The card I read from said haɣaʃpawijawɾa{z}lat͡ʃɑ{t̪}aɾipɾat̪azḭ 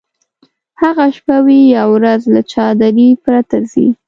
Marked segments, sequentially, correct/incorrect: correct, incorrect: d̪

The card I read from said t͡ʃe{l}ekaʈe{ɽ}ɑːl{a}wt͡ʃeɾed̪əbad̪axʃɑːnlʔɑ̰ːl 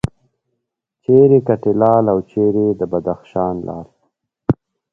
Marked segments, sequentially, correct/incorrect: incorrect: ɾ, incorrect: l, correct

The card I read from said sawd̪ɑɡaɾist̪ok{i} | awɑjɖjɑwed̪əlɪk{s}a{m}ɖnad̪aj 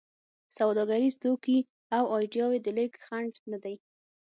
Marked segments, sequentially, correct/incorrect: correct, incorrect: x, incorrect: ɳ

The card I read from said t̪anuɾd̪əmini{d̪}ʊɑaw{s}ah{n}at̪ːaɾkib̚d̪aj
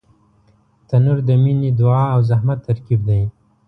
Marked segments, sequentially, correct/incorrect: correct, incorrect: z, incorrect: m

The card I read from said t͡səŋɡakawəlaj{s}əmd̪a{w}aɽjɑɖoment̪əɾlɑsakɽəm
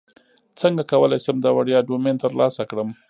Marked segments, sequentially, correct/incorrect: correct, correct

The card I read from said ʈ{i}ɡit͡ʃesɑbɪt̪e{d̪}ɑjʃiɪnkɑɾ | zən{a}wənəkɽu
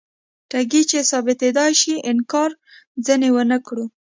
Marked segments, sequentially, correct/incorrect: incorrect: a, correct, incorrect: e

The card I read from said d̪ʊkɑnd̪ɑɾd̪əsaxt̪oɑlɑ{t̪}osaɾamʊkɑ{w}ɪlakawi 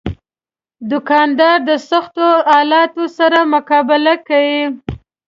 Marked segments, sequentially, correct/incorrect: correct, incorrect: b

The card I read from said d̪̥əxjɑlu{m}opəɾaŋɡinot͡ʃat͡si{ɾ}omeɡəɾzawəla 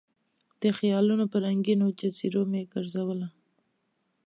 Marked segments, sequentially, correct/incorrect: incorrect: n, correct

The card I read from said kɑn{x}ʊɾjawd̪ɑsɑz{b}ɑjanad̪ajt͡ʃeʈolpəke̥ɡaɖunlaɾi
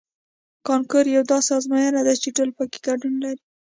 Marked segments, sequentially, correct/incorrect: incorrect: k, incorrect: m

